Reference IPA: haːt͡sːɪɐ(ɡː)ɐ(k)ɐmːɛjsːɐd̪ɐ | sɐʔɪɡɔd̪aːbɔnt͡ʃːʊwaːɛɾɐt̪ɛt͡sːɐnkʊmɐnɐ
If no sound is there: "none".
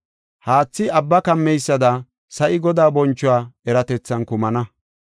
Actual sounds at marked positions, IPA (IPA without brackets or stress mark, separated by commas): bː, k